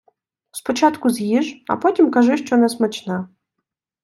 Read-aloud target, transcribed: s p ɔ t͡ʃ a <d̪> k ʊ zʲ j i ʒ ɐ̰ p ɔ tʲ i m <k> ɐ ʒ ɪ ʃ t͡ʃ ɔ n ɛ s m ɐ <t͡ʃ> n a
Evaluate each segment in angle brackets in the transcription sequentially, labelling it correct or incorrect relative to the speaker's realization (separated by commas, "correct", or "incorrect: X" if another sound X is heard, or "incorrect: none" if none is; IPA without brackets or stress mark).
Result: incorrect: t̪, correct, correct